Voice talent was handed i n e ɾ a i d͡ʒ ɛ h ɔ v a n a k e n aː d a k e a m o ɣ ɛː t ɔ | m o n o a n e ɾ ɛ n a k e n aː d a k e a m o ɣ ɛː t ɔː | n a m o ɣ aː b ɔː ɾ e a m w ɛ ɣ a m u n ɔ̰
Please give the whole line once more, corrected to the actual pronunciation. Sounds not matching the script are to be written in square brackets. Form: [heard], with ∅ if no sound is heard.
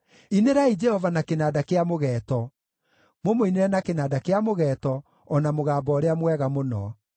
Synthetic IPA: i n e ɾ a i d͡ʒ ɛ h ɔ v a n a k e n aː d a k e a m o ɣ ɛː t ɔ | m o [m] o [i] n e ɾ ɛ n a k e n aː d a k e a m o ɣ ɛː t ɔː | n a m o ɣ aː b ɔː ɾ e a m w ɛ ɣ a m [o] n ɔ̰